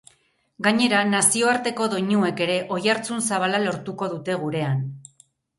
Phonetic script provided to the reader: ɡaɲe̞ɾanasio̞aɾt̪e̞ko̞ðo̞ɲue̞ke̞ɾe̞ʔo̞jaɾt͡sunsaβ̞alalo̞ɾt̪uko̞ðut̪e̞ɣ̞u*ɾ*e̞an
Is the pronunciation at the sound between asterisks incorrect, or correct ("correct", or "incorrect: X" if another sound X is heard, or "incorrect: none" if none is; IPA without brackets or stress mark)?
correct